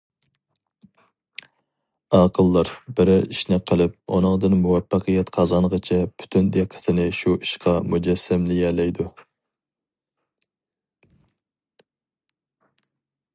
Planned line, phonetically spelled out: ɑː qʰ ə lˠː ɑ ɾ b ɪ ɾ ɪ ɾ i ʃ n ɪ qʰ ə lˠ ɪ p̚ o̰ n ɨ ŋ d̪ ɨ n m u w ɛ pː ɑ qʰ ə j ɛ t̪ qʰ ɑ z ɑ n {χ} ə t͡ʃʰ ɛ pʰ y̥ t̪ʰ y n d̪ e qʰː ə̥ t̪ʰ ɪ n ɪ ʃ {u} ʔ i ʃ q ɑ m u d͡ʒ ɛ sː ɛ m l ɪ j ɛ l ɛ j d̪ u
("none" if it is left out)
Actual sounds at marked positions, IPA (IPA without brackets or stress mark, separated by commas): ʁ, u